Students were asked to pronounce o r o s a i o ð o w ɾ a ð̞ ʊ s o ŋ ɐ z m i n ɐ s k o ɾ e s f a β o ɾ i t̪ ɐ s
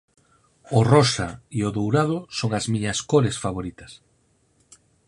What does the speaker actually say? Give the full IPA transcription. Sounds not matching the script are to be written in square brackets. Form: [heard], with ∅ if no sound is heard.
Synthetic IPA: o r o s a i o ð o w ɾ a ð̞ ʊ s o ŋ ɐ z m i [ɲ] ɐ s k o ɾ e s f a β o ɾ i t̪ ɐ s

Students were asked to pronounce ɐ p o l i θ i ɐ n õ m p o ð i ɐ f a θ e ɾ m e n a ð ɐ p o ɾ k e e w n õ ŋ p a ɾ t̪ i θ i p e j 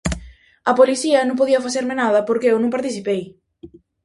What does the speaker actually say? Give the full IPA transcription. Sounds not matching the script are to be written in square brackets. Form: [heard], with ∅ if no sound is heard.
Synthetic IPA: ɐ p o l i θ i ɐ n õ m p o ð i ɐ f a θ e ɾ m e n a ð ɐ p o ɾ k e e w n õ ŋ p a ɾ t̪ i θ i p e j

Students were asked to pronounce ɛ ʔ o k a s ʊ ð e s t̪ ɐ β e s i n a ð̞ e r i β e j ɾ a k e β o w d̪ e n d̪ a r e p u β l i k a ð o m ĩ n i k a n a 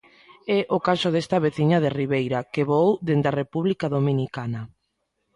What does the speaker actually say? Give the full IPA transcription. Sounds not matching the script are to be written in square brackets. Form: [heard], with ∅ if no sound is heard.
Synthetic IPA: ɛ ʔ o k a s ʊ ð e s t̪ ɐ β e [θ] i [ɲ] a ð̞ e r i β e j ɾ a k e β o w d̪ e n d̪ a r e p u β l i k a ð o m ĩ n i k a n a

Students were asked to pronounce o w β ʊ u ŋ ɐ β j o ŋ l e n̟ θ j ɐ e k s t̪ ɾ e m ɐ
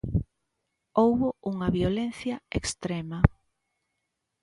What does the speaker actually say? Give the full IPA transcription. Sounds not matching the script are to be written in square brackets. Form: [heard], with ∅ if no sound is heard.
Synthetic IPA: o w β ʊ u ŋ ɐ β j o [∅] l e n̟ θ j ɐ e k s t̪ ɾ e m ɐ

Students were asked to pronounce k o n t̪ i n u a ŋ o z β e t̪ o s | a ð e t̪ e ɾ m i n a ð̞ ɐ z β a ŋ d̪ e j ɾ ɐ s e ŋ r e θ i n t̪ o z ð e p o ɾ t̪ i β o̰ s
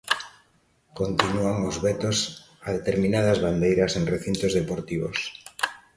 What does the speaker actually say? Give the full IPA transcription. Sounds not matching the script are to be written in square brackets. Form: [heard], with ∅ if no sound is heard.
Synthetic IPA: k o n t̪ i n u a ŋ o z β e t̪ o s | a ð e t̪ e ɾ m i n a ð̞ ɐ z β a [n] d̪ e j ɾ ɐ s e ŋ r e θ i n t̪ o z ð e p o ɾ t̪ i β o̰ s

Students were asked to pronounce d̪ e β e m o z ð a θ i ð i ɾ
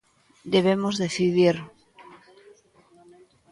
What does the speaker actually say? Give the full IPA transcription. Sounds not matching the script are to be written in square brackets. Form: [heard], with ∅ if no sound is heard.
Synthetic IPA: d̪ e β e m o z ð [e] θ i ð i ɾ

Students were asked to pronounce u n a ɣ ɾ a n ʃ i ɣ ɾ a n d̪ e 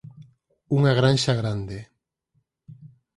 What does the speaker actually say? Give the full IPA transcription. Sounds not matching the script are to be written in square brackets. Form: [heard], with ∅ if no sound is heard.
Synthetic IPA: u [ŋ] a ɣ ɾ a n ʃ [a] ɣ ɾ a n d̪ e

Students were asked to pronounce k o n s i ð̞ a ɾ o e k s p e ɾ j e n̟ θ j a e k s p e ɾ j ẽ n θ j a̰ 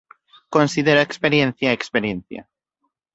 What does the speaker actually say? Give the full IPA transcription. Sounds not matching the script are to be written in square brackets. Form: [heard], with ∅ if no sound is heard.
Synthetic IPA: k o n s i ð̞ [e] ɾ o e k s p e ɾ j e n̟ θ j a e k s p e ɾ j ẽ n θ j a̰

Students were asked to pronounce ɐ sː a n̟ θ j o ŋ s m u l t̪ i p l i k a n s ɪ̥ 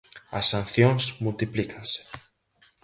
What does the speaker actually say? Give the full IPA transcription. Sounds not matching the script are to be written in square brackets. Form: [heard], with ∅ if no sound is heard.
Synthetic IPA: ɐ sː a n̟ θ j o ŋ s m u l t̪ i p l i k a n s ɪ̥

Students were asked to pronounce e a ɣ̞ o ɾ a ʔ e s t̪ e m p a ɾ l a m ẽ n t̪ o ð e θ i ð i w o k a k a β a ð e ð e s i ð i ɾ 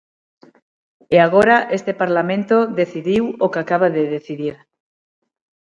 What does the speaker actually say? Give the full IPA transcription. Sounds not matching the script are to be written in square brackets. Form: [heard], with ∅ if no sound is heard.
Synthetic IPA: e a ɣ̞ o ɾ a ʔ e s t̪ e [∅] p a ɾ l a m ẽ n t̪ o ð e θ i ð i w o k a k a β a ð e ð e [θ] i ð i ɾ

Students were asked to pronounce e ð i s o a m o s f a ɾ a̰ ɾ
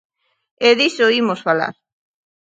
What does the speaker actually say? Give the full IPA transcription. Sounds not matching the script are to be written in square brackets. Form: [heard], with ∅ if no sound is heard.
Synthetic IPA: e ð i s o [i] m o s f a [l] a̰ ɾ

